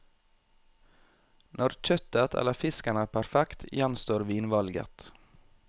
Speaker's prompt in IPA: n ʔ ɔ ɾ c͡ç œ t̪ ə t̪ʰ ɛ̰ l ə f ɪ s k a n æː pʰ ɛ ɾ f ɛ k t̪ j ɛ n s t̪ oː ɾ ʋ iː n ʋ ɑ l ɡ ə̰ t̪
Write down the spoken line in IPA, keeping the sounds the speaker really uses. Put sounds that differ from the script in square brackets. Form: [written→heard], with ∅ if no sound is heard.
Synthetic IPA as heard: n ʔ ɔ ɾ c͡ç œ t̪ ə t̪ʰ ɛ̰ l ə f ɪ s k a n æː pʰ [ɛ→æ] ɾ f ɛ k t̪ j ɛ n s t̪ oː ɾ ʋ iː n ʋ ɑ l ɡ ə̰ t̪